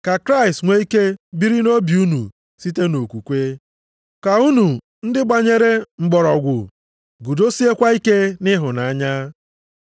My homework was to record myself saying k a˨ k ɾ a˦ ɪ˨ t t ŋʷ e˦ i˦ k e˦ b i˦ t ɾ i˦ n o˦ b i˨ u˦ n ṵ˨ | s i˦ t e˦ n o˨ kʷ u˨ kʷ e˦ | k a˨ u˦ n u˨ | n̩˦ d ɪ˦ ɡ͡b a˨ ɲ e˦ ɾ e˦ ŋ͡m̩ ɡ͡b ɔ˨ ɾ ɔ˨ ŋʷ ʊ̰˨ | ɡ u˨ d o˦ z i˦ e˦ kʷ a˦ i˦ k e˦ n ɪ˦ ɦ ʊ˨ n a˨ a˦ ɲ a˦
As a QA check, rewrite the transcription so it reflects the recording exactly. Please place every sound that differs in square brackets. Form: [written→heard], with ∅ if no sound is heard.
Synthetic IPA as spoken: k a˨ k ɾ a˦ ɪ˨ [t→s] t ŋʷ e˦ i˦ k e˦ b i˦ [t→∅] ɾ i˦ n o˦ b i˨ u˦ n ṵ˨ | s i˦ t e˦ n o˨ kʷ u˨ kʷ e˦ | k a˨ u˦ n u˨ | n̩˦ d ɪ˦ ɡ͡b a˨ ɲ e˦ ɾ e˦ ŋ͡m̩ ɡ͡b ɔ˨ ɾ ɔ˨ [ŋʷ→ɡʷ] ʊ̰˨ | ɡ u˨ d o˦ [z→s] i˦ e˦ kʷ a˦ i˦ k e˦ n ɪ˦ ɦ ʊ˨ n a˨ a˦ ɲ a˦